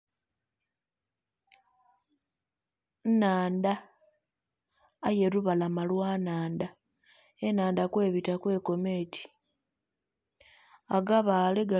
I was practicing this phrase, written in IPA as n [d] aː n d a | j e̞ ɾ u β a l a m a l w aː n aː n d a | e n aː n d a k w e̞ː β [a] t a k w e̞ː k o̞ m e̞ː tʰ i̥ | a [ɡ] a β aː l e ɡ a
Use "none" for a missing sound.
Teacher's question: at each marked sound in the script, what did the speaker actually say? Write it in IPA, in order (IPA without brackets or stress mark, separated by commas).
n, i, ɡ